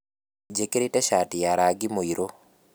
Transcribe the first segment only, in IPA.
d͡ʒ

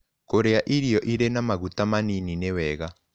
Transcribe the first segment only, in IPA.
k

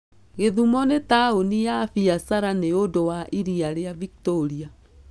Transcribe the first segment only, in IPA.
ɣ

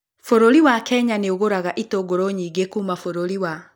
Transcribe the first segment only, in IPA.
f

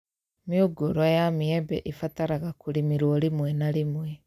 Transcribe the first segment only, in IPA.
m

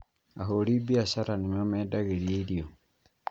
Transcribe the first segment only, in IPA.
a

